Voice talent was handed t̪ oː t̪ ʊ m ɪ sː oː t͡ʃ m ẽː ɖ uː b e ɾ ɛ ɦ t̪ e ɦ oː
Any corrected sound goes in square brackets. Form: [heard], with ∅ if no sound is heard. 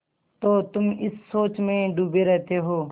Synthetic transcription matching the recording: t̪ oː t̪ ʊ m ɪ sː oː t͡ʃ m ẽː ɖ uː b e ɾ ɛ ɦ t̪ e ɦ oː